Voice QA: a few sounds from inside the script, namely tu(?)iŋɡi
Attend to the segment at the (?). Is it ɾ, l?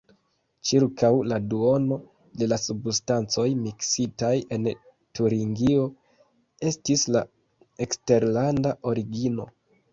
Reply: ɾ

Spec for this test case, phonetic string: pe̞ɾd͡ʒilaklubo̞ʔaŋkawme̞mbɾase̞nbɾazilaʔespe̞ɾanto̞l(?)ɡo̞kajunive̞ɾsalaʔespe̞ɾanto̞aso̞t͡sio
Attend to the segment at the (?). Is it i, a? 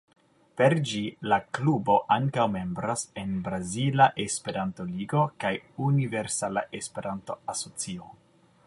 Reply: i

